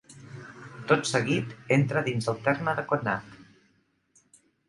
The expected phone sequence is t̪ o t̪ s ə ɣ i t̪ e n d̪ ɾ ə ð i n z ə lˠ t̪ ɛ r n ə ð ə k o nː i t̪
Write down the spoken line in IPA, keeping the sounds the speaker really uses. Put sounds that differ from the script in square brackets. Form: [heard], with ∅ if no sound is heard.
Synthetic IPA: t̪ o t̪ s ə ɣ i t̪ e n [t̪] ɾ ə ð i n z ə lˠ t̪ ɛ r [m] ə ð ə k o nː [a] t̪